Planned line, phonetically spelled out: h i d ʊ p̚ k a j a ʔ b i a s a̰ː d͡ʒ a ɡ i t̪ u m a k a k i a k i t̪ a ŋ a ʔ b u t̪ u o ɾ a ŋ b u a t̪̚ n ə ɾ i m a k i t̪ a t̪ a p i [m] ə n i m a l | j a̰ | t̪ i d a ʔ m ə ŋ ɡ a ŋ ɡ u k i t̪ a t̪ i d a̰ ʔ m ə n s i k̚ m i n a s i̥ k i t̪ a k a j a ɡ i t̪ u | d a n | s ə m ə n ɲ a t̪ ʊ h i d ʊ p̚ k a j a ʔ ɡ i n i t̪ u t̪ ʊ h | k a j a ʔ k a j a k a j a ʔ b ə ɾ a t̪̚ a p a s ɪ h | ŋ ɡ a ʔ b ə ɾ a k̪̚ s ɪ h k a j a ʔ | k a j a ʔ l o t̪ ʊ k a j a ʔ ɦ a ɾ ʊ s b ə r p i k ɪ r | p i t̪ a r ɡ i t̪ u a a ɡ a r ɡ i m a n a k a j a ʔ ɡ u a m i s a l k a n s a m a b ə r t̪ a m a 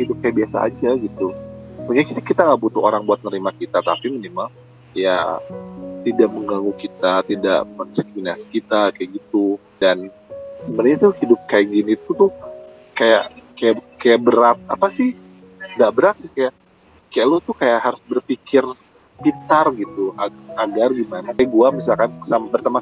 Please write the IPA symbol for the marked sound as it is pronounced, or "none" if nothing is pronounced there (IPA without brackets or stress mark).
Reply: m